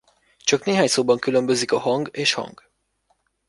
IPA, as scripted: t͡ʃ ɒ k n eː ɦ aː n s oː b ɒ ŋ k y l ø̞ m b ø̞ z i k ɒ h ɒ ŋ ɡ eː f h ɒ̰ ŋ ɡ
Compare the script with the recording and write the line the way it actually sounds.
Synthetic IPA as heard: t͡ʃ ɒ k n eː ɦ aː ɲ s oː b ɒ ŋ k y l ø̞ m b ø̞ z i k ɒ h ɒ ŋ ɡ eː ʃ h ɒ̰ ŋ ɡ